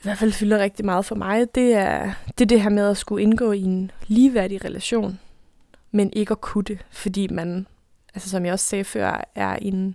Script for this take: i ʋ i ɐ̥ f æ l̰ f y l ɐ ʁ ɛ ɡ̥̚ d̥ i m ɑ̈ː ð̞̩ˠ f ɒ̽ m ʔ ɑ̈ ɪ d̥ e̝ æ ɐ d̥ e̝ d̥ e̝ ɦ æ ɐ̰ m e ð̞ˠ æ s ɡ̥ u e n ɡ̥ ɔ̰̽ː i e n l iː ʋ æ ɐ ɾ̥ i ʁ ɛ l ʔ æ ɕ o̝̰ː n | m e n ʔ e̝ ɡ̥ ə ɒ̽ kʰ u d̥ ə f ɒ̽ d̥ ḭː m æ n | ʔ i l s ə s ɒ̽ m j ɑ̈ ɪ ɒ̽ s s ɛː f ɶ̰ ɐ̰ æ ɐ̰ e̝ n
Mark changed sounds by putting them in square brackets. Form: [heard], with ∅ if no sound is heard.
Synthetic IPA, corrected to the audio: i ʋ [æ] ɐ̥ f æ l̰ f y l ɐ ʁ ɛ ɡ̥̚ d̥ i m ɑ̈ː ð̞̩ˠ f ɒ̽ m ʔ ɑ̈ ɪ d̥ e̝ æ ɐ d̥ e̝ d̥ e̝ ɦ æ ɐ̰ m e ð̞ˠ æ s ɡ̥ u e n ɡ̥ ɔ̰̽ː i e n l iː ʋ æ ɐ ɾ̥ i ʁ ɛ l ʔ æ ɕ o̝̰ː n | m e n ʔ e̝ ɡ̥ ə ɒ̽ kʰ u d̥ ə f ɒ̽ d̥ ḭː m æ n | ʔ [æ] l s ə s ɒ̽ m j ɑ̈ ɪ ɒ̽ s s ɛː f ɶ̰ ɐ̰ æ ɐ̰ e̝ n